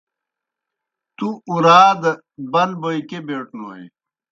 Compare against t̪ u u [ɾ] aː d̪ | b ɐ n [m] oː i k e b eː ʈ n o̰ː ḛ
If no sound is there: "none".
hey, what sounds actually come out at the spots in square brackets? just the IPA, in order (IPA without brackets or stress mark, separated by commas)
ɾ, b